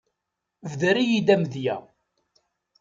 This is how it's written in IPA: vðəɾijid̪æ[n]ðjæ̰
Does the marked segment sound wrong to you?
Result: yes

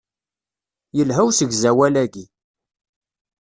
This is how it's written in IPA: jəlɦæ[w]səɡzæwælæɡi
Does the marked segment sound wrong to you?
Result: no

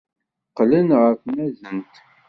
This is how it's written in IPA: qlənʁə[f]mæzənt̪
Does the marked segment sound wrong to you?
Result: no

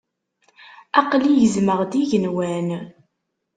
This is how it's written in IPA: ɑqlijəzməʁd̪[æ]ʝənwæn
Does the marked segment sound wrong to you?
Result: yes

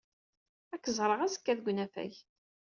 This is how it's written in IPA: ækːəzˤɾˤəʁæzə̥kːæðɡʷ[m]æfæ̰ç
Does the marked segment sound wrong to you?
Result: yes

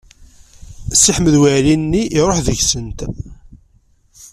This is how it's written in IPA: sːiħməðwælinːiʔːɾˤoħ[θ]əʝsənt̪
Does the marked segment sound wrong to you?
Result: yes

